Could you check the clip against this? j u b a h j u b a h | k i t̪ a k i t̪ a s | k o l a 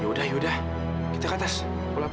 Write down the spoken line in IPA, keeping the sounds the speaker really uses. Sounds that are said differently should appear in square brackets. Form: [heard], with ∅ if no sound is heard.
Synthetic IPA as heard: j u [d] a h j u [d] a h | k i t̪ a k [a] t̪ a s | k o l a